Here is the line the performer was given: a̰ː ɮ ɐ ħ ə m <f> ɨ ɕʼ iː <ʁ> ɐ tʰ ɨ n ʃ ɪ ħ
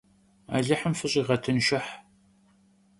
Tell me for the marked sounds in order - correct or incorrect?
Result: correct, correct

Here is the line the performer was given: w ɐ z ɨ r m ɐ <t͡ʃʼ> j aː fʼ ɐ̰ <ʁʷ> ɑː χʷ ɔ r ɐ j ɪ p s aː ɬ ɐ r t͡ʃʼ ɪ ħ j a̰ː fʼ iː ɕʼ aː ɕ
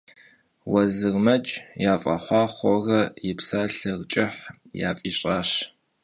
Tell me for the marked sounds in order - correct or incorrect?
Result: correct, incorrect

